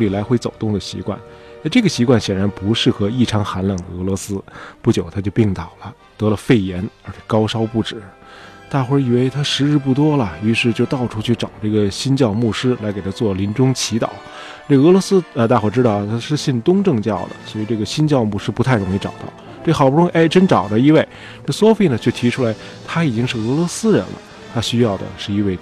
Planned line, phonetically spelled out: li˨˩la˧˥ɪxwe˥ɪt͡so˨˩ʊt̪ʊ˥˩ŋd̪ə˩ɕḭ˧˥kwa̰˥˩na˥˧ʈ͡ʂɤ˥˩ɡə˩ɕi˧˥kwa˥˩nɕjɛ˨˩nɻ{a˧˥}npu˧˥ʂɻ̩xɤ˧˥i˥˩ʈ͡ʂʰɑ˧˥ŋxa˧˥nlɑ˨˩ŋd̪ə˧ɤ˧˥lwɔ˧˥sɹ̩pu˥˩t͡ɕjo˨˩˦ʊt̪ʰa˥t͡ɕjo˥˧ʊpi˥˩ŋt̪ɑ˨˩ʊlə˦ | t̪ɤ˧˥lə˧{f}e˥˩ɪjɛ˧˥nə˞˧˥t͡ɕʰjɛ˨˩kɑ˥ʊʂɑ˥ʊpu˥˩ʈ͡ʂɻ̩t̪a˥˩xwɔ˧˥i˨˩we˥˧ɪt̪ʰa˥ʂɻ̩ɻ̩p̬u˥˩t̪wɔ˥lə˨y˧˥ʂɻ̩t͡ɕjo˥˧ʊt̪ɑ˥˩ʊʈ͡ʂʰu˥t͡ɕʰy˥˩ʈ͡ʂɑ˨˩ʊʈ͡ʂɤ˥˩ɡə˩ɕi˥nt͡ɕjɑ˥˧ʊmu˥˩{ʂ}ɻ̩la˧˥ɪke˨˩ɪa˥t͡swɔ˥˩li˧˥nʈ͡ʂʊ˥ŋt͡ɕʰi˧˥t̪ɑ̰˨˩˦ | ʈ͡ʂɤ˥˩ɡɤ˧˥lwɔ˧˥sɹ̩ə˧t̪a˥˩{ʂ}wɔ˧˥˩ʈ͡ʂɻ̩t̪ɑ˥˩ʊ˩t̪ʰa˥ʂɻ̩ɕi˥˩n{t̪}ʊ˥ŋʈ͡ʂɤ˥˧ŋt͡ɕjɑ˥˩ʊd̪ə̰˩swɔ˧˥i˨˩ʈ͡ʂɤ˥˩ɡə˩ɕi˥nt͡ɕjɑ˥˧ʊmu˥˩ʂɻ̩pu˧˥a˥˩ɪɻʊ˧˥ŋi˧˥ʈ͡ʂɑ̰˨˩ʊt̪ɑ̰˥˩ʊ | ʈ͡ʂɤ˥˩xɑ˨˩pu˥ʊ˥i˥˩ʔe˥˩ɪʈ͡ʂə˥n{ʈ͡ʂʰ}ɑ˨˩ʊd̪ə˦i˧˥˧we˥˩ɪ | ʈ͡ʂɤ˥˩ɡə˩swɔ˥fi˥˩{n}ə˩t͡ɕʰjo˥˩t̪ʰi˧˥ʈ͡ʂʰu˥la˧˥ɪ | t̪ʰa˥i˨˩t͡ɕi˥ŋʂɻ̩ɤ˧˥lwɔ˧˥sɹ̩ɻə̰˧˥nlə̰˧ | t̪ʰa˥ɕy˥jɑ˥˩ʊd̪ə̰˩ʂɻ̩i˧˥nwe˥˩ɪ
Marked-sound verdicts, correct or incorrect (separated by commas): correct, correct, correct, incorrect, correct, incorrect, correct